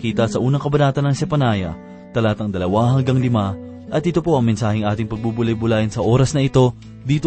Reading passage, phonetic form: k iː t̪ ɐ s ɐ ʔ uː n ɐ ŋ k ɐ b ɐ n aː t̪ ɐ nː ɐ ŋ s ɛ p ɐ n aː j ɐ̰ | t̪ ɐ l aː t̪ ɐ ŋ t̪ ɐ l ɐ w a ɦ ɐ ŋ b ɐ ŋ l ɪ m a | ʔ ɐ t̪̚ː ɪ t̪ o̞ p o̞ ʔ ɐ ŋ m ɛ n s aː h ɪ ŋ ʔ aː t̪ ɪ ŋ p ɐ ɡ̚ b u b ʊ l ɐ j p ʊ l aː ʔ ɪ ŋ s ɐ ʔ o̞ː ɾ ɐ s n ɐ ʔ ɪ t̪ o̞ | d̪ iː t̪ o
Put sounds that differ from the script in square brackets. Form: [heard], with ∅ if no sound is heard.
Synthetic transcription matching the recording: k iː t̪ ɐ s ɐ ʔ uː n ɐ ŋ k ɐ b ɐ n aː t̪ ɐ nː ɐ ŋ s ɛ p ɐ n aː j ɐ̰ | t̪ ɐ l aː t̪ ɐ ŋ [d̪] ɐ l ɐ w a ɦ ɐ ŋ [ɡ] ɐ ŋ l ɪ m a | ʔ ɐ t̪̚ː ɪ t̪ o̞ p o̞ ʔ ɐ ŋ m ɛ n s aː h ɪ ŋ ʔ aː t̪ ɪ ŋ p ɐ ɡ̚ b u b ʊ l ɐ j [b] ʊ l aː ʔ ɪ [n] s ɐ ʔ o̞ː ɾ ɐ s n ɐ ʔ ɪ t̪ o̞ | d̪ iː t̪ o